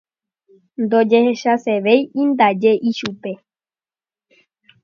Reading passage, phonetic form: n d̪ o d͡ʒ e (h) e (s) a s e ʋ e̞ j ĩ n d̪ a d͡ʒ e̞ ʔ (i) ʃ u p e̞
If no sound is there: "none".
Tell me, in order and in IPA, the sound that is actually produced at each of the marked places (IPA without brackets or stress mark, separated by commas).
h, ʃ, i